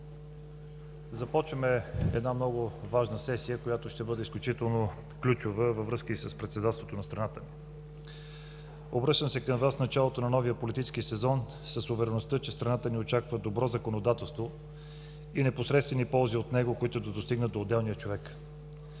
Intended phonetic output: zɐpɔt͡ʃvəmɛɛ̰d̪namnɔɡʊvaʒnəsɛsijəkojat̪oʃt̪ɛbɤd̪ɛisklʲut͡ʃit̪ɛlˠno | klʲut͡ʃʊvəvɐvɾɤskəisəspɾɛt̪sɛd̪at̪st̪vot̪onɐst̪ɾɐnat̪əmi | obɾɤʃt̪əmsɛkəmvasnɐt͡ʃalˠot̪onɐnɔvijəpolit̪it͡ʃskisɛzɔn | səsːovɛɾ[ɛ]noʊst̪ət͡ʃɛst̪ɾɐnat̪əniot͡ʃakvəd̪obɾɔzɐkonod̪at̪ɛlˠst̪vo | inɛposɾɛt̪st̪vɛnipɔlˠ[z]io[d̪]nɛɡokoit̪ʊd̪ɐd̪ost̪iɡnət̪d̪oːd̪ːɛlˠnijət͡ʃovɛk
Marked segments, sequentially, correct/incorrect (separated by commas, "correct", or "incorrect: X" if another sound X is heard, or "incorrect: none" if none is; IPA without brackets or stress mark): correct, correct, incorrect: t̪